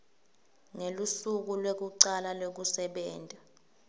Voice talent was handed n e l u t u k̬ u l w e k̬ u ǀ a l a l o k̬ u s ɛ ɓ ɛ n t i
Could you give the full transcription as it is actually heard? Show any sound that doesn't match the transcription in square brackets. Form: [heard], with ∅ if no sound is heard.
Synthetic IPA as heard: [ŋ] e l u [s] u k̬ u l w e k̬ u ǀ a l a l o k̬ u s ɛ ɓ [ɛː] n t [a]